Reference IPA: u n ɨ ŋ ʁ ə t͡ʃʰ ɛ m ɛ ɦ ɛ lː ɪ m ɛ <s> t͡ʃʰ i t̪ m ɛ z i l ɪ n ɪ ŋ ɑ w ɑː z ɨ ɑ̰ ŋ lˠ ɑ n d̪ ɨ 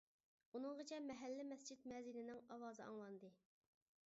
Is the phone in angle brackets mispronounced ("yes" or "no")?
no